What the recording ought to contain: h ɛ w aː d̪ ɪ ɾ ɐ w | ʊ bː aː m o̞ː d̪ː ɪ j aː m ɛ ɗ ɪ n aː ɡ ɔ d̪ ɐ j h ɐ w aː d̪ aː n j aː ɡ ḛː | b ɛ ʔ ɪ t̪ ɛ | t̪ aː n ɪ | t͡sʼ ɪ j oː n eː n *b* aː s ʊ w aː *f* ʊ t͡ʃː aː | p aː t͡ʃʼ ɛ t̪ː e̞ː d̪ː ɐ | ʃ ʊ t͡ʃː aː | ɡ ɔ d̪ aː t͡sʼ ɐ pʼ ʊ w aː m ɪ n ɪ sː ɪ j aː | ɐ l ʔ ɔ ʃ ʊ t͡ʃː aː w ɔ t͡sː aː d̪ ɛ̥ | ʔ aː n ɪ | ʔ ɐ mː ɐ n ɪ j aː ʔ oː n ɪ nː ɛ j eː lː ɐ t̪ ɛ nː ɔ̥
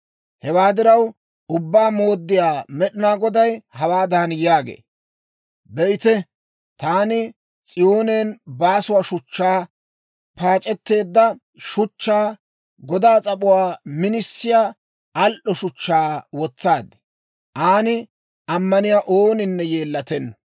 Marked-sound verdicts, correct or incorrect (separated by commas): correct, incorrect